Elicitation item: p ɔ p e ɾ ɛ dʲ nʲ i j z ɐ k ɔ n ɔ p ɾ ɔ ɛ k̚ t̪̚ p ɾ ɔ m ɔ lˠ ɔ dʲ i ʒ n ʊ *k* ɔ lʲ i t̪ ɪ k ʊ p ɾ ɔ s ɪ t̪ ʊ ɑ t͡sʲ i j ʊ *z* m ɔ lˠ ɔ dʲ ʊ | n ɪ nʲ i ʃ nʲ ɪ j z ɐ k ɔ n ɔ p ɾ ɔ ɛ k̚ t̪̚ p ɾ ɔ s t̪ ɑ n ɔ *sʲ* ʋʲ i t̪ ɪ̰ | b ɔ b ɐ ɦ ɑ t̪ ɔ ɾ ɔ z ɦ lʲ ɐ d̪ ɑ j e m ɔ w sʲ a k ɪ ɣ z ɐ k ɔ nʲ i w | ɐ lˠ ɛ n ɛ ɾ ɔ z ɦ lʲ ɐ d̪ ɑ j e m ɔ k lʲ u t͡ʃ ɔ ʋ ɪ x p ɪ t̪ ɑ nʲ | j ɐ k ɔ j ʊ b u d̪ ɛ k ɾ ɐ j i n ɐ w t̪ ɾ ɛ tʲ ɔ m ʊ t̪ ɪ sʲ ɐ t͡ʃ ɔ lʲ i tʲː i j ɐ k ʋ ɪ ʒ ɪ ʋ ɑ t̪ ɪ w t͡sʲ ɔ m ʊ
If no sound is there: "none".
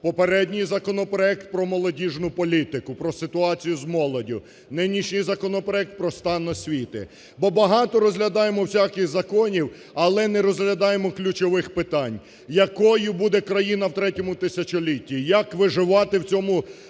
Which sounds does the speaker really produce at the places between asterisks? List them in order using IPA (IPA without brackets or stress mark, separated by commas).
p, z, sʲ